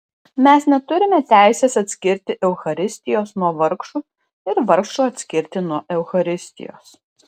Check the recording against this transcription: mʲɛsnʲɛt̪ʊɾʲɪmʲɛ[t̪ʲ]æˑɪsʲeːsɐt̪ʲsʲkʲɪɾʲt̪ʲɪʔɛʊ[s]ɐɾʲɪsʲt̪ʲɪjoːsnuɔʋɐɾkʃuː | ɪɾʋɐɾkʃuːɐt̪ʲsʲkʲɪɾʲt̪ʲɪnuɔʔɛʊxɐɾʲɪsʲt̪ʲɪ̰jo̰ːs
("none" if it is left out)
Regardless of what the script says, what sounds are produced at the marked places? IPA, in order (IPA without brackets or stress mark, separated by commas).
t̪ʲ, x